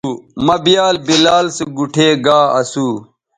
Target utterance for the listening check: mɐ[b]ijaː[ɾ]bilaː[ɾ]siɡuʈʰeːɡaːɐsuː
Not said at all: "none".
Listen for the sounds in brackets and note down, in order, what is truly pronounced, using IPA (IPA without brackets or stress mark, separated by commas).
b, l, l